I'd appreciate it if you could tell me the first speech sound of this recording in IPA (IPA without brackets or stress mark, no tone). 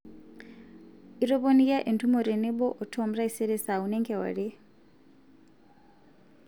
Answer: i